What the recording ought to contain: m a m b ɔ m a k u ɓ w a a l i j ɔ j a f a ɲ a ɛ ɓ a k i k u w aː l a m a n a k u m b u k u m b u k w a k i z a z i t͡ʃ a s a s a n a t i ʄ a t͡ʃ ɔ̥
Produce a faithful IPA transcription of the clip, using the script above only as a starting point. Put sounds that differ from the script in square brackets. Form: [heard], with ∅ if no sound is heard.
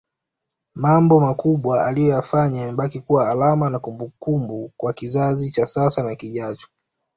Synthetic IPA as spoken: m a m b ɔ m a k u ɓ w a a l i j ɔ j a f a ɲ a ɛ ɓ a k i k u w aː l a m a n a k u m b u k u m b u k w a k i z a z i t͡ʃ a s a s a n a [k] i ʄ a t͡ʃ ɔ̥